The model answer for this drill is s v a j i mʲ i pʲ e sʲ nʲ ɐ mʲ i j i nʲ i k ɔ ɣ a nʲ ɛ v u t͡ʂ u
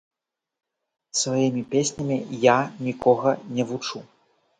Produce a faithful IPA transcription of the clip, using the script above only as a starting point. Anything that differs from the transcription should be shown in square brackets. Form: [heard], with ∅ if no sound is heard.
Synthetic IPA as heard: s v a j i mʲ i pʲ e sʲ nʲ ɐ mʲ i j [a] nʲ i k ɔ ɣ [ɐ] nʲ ɛ v u t͡ʂ u